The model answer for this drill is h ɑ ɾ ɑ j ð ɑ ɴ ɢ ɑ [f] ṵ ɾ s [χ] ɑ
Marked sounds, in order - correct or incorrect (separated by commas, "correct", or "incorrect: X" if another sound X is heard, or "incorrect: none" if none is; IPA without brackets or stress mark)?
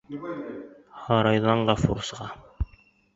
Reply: correct, incorrect: ʁ